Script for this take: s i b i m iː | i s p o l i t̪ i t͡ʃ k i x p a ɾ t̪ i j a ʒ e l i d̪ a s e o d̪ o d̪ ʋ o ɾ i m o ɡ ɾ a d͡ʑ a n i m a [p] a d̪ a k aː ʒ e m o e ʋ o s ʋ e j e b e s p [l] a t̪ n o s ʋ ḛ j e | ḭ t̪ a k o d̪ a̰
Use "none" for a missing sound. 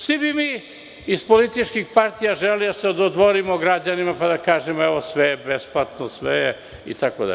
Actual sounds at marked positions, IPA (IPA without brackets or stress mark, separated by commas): p, l